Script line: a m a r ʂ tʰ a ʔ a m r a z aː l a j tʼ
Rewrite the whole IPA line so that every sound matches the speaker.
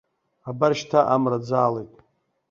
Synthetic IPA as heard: a b a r ʃ tʰ a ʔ a m r a d͡z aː l e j tʼ